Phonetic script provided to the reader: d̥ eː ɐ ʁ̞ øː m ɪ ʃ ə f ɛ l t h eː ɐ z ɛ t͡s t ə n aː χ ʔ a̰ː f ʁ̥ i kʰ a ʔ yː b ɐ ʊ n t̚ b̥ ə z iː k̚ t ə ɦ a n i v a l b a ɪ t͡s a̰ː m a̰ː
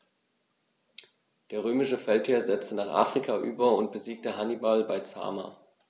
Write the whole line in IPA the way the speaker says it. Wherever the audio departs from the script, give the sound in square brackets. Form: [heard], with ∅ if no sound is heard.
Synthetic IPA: d̥ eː ɐ ʁ̞ øː m ɪ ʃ ə f ɛ l t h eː ɐ z ɛ t͡s t ə n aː χ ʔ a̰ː f ʁ̥ i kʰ a ʔ yː b ɐ ʊ n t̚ b̥ ə z iː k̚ t ə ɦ a n i [b] a l b a ɪ t͡s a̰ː m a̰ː